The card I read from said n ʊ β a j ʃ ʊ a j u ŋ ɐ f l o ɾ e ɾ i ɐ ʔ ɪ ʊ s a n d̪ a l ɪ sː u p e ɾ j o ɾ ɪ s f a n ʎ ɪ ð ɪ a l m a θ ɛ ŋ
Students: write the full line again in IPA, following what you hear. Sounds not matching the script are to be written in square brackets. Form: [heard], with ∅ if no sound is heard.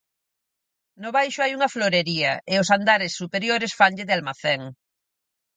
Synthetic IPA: n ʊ β a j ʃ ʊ a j u ŋ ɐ f l o ɾ e ɾ i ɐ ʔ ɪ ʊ s a n d̪ a [ɾ] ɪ sː u p e ɾ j o ɾ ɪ s f a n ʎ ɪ ð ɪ a l m a θ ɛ ŋ